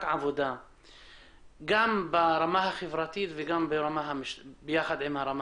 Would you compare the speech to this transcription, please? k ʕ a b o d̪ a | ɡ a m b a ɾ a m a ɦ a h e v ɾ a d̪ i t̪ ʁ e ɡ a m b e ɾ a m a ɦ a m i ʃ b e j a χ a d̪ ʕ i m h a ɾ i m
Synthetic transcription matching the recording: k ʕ a v o d̪ a | ɡ a m b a ɾ a m a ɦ a χ e v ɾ a t̪ i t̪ v e ɡ a m b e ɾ a m a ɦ a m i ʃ b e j a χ a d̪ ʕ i m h a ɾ a m